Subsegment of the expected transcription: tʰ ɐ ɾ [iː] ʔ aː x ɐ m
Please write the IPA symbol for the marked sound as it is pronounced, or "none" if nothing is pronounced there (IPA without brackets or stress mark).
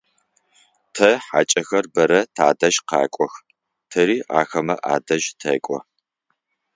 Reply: iː